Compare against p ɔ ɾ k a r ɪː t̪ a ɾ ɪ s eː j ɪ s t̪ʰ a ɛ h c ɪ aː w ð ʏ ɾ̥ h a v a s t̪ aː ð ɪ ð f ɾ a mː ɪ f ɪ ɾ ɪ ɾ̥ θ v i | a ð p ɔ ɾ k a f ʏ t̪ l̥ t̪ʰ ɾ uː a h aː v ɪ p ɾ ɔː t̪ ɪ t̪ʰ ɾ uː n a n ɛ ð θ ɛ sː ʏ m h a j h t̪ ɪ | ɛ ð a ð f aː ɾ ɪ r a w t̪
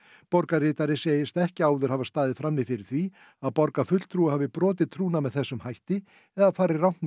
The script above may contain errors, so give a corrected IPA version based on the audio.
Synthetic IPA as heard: p ɔ ɾ k a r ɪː t̪ a ɾ ɪ s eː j ɪ s t̪ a ɛ h c ɪ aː w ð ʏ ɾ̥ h a v a s t̪ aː ð ɪ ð f ɾ a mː ɪ f ɪ ɾ ɪ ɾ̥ θ v i | a ð p ɔ ɾ k a f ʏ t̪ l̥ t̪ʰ ɾ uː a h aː v ɪ p ɾ ɔː t̪ ɪ t̪ʰ ɾ uː n a m ɛ ð θ ɛ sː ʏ m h a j h t̪ ɪ | ɛ ð a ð f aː ɾ ɪ r a w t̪